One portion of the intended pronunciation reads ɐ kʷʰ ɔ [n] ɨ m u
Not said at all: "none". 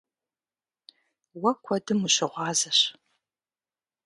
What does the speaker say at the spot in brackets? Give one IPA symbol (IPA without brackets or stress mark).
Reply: d